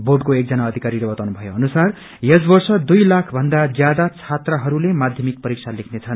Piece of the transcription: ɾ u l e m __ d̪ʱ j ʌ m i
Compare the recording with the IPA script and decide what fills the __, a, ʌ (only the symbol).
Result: a